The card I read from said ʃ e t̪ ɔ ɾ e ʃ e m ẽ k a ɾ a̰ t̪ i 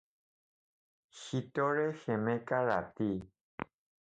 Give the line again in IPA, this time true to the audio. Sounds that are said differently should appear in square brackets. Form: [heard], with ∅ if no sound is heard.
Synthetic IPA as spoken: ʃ [i] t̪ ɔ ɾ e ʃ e m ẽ k a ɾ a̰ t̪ i